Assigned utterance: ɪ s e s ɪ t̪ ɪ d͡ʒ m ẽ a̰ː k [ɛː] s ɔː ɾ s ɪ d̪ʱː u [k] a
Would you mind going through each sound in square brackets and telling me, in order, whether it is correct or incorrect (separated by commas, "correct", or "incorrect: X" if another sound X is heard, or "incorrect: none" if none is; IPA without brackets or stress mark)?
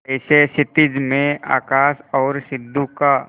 incorrect: aː, correct